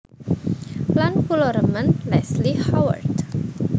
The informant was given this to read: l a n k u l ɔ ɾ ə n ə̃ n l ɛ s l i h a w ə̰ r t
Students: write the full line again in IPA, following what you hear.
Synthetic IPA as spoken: l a n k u l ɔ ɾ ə m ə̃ n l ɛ s l i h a w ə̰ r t